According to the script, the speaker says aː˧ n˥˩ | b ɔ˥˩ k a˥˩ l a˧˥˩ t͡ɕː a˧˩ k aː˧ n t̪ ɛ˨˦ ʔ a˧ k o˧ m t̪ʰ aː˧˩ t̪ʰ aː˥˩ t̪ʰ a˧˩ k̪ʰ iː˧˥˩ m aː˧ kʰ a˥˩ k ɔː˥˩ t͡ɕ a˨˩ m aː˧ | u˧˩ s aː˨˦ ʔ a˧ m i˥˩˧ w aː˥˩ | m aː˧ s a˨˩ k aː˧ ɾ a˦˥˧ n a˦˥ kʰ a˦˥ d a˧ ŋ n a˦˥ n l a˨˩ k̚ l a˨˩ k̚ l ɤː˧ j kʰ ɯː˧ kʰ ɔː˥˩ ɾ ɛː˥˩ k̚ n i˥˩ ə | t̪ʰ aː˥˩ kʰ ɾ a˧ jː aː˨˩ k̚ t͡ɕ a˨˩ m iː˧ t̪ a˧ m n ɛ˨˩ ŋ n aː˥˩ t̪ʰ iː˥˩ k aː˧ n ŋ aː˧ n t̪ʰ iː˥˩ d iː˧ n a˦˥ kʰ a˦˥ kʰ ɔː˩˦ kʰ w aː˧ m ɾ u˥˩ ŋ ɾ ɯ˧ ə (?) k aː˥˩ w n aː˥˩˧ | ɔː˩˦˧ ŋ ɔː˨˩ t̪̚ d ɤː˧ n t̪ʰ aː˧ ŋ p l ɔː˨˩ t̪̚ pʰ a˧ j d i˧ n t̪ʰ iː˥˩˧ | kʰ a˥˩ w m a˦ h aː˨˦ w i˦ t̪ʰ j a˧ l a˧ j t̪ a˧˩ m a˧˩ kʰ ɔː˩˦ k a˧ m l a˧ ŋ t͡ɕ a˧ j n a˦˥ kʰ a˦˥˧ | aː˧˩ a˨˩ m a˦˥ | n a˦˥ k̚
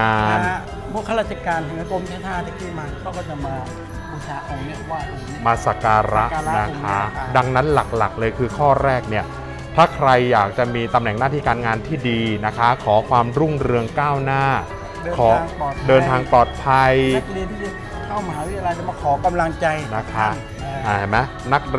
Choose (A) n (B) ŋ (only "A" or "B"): B